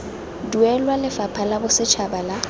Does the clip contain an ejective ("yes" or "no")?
no